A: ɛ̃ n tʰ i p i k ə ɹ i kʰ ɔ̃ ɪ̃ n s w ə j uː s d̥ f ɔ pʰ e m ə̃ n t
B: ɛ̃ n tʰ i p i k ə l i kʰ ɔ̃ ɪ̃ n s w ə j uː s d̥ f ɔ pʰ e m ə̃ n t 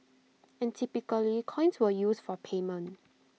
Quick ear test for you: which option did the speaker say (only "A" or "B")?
B